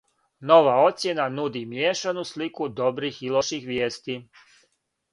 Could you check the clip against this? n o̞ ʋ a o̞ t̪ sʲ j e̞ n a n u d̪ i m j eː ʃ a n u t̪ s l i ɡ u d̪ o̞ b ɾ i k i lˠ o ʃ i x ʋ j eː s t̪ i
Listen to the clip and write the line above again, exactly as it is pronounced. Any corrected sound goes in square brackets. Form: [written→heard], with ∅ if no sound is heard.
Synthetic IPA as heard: n o̞ ʋ a o̞ t̪ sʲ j e̞ n a n u d̪ i m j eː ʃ a n u [t̪→∅] s l i [ɡ→k] u d̪ o̞ b ɾ i [k→x] i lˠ o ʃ i x ʋ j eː s t̪ i